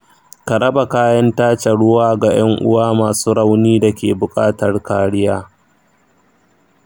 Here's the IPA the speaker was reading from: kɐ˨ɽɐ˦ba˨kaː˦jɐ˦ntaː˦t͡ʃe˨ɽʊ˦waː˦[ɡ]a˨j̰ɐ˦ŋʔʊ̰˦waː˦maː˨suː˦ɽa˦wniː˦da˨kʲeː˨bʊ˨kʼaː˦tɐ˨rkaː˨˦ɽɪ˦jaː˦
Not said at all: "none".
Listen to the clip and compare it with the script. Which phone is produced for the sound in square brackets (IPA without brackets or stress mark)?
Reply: ɡ